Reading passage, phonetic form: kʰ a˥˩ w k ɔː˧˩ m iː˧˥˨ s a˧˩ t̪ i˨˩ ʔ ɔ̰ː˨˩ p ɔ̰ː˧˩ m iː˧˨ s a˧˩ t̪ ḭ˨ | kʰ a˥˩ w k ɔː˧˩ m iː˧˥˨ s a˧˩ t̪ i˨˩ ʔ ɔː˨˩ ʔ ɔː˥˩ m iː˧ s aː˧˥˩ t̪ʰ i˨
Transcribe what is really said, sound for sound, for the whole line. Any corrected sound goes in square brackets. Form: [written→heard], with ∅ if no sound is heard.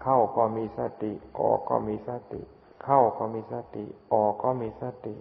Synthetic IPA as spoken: kʰ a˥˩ w k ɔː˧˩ m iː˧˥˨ s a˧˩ t̪ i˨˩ ʔ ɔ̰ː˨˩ [p→k] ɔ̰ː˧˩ m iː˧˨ s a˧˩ t̪ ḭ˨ | kʰ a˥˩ w k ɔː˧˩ m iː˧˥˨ s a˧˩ t̪ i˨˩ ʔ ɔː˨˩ [ʔ→k] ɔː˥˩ m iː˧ s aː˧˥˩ [t̪ʰ→t̪] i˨